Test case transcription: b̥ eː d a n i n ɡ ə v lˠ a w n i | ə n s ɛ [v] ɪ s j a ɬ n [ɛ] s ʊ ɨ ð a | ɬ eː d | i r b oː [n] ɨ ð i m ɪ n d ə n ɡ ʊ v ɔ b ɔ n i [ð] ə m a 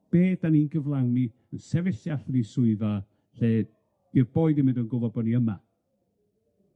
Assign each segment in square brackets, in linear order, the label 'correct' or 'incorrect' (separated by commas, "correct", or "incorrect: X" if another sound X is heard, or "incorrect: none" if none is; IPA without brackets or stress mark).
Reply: correct, incorrect: i, incorrect: none, incorrect: none